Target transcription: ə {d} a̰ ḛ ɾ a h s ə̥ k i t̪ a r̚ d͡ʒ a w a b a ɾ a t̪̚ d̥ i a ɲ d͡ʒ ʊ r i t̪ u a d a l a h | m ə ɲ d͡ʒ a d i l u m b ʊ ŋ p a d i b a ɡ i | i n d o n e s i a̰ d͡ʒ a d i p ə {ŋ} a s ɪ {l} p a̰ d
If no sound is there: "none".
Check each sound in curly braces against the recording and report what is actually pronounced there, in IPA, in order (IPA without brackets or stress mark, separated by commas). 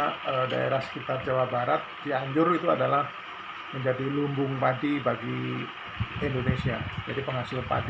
d, ŋ, l